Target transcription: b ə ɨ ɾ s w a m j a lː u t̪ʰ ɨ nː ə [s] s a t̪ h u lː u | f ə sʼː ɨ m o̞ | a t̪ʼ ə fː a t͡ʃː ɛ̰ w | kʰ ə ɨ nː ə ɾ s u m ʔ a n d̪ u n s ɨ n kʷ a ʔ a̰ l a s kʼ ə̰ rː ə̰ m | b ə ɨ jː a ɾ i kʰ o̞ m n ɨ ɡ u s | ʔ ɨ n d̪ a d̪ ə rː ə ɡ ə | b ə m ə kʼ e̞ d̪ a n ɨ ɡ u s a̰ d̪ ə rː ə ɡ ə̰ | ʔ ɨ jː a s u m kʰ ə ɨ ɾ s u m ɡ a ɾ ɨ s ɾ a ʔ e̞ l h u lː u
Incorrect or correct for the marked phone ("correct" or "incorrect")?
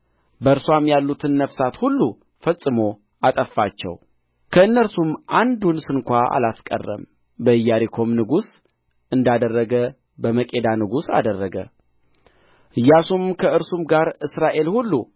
incorrect